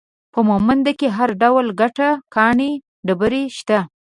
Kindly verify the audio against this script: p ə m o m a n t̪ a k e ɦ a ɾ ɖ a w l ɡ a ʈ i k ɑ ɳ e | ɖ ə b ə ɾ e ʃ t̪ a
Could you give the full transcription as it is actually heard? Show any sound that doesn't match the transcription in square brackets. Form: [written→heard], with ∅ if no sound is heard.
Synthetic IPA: p ə m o m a n [t̪→d̪] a k e ɦ a ɾ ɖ a w l ɡ a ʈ [i→a] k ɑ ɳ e | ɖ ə b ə ɾ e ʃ t̪ a